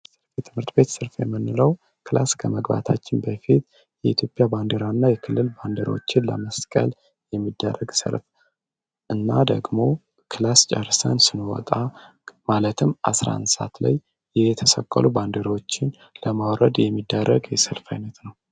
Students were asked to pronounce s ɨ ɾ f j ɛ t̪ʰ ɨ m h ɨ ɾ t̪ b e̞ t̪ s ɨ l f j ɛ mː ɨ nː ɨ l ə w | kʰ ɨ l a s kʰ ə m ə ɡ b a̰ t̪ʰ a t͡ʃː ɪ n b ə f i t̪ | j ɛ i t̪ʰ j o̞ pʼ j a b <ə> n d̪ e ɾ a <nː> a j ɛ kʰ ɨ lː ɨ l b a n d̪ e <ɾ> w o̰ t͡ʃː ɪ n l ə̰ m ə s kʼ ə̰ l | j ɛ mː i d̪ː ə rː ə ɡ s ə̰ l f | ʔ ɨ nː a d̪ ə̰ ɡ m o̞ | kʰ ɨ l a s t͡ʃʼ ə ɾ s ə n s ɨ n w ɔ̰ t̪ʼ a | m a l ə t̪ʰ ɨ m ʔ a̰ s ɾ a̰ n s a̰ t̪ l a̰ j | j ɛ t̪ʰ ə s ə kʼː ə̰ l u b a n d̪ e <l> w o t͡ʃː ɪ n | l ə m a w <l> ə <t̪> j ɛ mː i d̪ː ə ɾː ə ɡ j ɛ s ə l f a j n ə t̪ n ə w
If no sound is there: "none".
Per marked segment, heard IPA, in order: a, nː, ɾ, ɾ, ɾ, d̪

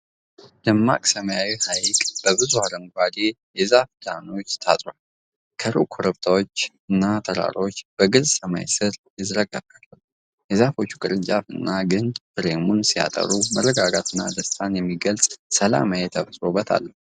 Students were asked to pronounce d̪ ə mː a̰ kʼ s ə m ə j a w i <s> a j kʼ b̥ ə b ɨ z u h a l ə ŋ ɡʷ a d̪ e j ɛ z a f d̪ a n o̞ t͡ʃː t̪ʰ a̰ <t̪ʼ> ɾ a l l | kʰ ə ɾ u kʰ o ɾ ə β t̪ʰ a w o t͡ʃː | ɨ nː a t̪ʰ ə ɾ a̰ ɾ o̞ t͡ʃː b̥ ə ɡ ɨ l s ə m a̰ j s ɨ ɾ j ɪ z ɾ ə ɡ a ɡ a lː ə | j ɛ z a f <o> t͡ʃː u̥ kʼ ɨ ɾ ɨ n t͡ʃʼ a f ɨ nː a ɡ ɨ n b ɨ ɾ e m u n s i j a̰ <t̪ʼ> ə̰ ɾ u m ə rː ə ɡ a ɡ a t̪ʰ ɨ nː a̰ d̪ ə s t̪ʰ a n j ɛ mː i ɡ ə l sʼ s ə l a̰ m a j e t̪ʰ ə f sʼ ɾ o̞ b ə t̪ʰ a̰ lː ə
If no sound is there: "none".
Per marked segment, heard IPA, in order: h, t̪ʼ, o, t̪ʼ

